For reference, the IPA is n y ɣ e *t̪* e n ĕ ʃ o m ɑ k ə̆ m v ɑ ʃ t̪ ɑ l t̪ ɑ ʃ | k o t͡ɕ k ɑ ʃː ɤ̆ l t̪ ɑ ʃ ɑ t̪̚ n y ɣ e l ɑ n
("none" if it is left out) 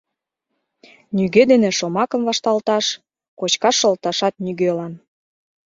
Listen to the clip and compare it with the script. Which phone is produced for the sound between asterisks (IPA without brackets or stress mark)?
d̪